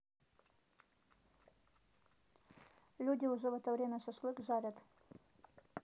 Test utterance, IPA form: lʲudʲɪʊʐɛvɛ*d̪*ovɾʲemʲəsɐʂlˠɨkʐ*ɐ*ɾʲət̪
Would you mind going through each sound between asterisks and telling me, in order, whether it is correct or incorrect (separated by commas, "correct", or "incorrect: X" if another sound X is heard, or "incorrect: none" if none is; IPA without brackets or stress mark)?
incorrect: t̪, incorrect: a